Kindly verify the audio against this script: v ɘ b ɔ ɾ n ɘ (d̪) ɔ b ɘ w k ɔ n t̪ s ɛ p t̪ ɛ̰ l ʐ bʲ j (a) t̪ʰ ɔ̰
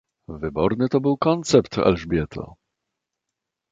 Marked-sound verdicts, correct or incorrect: incorrect: t̪, incorrect: ɛ

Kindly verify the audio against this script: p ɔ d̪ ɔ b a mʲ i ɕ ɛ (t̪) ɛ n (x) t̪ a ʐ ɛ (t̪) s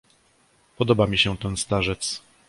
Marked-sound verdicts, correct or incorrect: correct, incorrect: s, correct

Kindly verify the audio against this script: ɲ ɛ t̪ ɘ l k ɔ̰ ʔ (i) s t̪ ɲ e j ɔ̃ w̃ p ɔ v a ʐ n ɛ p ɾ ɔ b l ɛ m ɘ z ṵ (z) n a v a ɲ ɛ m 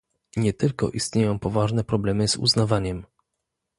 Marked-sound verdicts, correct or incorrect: correct, correct

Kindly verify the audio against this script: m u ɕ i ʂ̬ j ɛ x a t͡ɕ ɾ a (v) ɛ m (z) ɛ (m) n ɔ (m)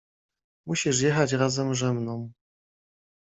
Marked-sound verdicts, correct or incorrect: incorrect: z, incorrect: ʐ, correct, correct

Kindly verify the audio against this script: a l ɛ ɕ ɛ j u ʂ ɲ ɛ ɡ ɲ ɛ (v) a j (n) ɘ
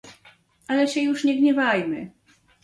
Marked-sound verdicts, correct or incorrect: correct, incorrect: m

